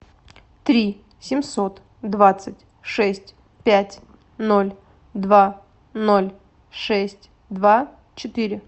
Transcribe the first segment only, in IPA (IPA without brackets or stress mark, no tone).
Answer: t̪